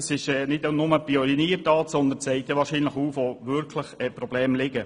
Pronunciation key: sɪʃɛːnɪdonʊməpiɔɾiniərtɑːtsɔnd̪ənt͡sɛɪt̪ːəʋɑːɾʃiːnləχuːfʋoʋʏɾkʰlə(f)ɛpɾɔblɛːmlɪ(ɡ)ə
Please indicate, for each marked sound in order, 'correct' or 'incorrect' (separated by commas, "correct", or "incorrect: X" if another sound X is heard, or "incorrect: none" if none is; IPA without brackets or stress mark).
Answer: incorrect: χ, correct